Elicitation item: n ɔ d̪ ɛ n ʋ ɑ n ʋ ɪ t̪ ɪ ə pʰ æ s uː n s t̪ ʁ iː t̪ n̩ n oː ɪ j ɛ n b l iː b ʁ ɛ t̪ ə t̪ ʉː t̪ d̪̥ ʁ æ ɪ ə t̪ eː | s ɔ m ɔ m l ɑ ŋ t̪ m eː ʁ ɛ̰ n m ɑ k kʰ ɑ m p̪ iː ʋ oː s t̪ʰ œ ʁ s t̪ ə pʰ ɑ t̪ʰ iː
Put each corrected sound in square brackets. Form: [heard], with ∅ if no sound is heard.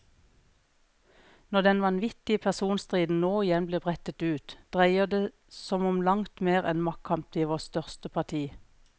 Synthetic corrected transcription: n ɔ d̪ ɛ n ʋ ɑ n ʋ ɪ t̪ ɪ ə pʰ æ s uː n s t̪ ʁ iː [d̪] n̩ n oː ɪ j ɛ n b l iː b ʁ ɛ t̪ ə t̪ ʉː t̪ d̪̥ ʁ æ ɪ ə [d̪] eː | s ɔ m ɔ m l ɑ ŋ t̪ m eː ʁ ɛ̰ n m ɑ k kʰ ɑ m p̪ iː ʋ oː s [t̪] œ ʁ s t̪ ə pʰ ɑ t̪ʰ iː